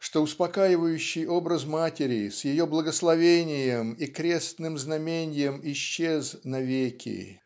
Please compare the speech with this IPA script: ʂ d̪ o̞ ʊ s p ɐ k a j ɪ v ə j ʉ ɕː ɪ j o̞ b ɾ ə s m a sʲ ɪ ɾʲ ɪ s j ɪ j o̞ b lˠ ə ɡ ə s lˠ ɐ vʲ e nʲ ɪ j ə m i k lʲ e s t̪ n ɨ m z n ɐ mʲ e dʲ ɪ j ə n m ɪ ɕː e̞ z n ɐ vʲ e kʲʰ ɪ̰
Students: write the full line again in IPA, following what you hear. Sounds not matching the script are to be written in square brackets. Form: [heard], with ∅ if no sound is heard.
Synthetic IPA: ʂ [t̪] o̞ ʊ s p ɐ k a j ɪ v ə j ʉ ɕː ɪ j o̞ b ɾ ə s m a [tʲ] ɪ ɾʲ ɪ s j ɪ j o̞ b lˠ ə ɡ ə s lˠ ɐ vʲ e nʲ ɪ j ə m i k [ɾʲ] e s t̪ n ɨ m z n ɐ mʲ e [nʲ] ɪ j ə [∅] m ɪ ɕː e̞ z n ɐ vʲ e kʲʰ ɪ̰